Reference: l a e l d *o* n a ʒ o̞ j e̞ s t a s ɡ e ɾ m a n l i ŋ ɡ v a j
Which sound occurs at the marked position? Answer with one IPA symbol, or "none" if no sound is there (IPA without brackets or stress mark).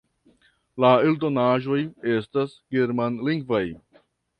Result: o